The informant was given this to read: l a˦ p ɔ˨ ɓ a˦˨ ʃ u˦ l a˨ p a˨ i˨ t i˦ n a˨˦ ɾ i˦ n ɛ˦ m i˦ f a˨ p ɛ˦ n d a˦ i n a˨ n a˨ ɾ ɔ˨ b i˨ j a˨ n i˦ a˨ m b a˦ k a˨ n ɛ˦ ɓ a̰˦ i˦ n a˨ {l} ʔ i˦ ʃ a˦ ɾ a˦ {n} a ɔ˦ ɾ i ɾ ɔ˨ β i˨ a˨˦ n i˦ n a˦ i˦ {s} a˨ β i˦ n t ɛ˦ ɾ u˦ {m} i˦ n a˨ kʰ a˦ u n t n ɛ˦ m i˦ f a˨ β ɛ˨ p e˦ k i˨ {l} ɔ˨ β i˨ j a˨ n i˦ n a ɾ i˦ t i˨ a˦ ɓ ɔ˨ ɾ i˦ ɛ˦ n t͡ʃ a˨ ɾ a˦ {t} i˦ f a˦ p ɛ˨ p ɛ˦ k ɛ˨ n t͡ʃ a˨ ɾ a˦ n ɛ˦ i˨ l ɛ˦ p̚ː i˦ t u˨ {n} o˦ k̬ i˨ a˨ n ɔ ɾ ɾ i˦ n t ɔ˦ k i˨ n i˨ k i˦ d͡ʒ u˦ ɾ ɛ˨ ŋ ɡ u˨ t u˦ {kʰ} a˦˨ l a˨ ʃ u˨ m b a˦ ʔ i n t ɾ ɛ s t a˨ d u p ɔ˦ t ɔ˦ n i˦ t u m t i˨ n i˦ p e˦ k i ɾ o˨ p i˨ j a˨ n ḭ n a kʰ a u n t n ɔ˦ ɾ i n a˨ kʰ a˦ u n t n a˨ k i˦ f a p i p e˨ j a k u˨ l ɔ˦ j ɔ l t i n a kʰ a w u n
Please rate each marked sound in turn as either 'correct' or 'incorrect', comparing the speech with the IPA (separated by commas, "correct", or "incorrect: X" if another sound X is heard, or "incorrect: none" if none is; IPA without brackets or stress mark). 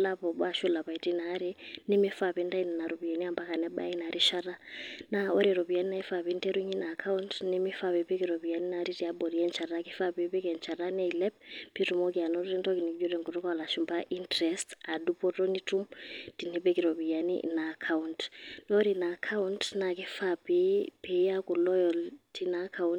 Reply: incorrect: ɾ, correct, incorrect: f, incorrect: ɲ, incorrect: ɾ, incorrect: k, incorrect: m, incorrect: k